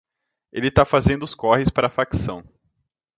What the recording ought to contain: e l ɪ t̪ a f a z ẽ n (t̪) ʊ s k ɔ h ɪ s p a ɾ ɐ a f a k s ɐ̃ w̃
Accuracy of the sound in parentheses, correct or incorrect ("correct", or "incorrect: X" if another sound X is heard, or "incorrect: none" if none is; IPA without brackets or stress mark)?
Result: incorrect: d̪